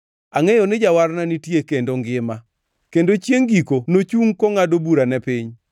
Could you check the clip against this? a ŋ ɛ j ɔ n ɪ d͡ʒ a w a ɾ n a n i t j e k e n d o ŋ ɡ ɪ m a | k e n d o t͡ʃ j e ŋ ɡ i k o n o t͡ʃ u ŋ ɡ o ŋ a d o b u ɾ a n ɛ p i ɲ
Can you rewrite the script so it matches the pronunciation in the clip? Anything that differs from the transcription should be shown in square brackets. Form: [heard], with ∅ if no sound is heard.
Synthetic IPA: a ŋ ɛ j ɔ n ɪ d͡ʒ a w a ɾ n a n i t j e k e n d o ŋ ɡ ɪ m a | k e n d o t͡ʃ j e ŋ ɡ i k o n o t͡ʃ u ŋ [k] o ŋ a d o b u ɾ a n ɛ p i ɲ